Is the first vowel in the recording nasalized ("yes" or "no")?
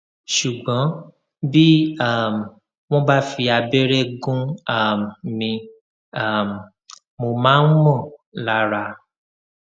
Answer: no